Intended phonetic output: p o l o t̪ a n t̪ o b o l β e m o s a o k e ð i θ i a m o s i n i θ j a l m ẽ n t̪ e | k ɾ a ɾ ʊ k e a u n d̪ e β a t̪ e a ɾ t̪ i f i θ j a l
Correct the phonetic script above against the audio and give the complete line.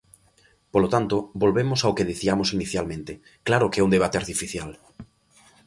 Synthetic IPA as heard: p o l o t̪ a n t̪ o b o l β e m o s a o k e ð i θ i a m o s i n i θ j a l m ẽ n t̪ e | k l a ɾ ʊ k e ɛ u n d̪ e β a t̪ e a ɾ t̪ i f i θ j a l